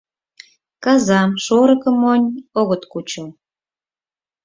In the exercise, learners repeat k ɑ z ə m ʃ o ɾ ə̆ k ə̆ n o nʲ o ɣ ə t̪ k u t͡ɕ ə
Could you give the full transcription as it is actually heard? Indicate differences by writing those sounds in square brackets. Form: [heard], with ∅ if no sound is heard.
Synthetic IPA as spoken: k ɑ z [ɑ] m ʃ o ɾ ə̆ k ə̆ [m] o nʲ o ɣ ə t̪ k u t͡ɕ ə

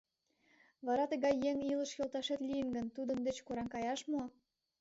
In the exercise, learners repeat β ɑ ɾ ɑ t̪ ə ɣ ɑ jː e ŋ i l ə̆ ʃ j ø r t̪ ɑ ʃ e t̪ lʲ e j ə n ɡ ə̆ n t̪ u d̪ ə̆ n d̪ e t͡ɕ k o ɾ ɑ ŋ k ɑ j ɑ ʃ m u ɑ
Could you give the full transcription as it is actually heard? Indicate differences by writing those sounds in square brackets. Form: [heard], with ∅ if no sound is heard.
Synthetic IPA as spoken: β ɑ ɾ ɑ t̪ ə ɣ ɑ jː e ŋ i l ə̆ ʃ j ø [l] t̪ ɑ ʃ e t̪ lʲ [i] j ə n ɡ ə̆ n t̪ u d̪ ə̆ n d̪ e t͡ɕ k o ɾ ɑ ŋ k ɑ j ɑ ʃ m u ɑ

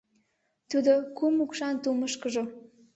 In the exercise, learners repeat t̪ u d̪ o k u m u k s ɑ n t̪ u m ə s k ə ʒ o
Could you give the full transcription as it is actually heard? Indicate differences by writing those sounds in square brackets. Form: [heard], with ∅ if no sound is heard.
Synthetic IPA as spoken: t̪ u d̪ o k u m u k [ʃ] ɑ n t̪ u m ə [ʃ] k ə ʒ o

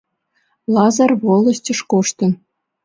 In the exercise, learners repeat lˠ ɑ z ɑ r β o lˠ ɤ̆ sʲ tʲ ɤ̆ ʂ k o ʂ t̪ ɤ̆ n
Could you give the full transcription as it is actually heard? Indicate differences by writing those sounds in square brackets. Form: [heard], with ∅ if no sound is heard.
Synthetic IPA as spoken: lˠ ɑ z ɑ r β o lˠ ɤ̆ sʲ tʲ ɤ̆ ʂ k o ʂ t̪ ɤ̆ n

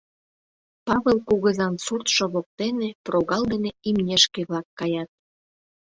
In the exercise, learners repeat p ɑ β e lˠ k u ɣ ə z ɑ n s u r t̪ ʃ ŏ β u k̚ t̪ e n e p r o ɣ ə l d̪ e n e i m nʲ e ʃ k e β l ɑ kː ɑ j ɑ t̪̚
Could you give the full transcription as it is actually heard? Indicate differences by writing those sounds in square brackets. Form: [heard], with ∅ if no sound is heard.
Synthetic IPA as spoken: p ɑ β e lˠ k u ɣ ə z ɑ n s u r t̪ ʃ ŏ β [o] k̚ t̪ e n e p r o ɣ [ɑ] l d̪ e n e i m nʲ e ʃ k e β l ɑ kː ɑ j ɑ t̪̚

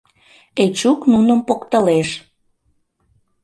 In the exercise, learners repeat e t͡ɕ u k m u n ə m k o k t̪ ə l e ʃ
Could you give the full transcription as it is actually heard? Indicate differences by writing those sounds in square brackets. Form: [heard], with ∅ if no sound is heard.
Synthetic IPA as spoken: e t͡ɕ u k [n] u n ə m [p] o k t̪ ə l e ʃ

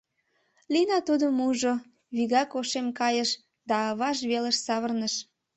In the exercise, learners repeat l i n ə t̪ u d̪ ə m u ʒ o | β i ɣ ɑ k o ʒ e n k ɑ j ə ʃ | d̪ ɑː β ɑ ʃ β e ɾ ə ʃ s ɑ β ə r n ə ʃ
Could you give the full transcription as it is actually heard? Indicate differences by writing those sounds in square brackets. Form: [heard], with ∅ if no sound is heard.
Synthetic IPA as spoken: l i n [ɑ] t̪ u d̪ ə m u ʒ o | β i ɣ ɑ k o [ʃ] e [m] k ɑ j ə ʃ | d̪ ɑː β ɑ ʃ β e [l] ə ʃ s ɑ β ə r n ə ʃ

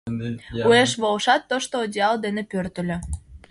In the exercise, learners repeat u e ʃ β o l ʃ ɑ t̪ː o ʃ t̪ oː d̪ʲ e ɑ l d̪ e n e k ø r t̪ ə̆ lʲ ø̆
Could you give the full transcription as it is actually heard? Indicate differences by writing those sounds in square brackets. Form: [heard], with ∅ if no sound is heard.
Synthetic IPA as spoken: u e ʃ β o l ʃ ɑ t̪ː o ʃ t̪ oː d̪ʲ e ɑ l d̪ e n e [p] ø r t̪ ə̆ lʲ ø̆

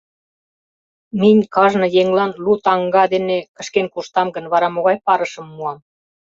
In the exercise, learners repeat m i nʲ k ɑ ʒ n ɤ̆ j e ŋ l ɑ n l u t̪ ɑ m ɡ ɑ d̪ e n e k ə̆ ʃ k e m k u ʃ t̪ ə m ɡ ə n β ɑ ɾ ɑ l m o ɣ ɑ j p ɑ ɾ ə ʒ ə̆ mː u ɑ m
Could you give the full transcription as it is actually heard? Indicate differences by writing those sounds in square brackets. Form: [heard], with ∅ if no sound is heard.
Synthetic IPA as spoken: m i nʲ k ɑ ʒ n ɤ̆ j e ŋ l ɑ n l u t̪ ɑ [ŋ] ɡ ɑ d̪ e n e k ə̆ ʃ k e [n] k u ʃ t̪ [ɑ] m ɡ ə n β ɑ ɾ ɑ [∅] m o ɣ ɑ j p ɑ ɾ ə [ʃ] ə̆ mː u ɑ m

